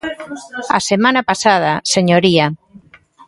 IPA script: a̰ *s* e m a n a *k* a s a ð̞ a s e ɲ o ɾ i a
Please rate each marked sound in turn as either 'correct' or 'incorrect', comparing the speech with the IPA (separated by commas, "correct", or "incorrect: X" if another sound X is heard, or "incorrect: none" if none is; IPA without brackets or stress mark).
correct, incorrect: p